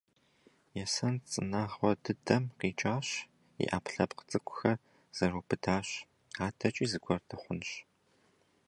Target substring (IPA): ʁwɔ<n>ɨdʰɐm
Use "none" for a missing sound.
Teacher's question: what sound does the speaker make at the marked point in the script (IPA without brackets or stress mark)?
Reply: d